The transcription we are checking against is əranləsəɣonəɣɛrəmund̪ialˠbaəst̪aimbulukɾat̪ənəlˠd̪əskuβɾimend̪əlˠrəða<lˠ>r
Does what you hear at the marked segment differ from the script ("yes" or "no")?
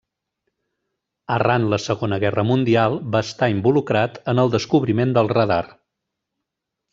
yes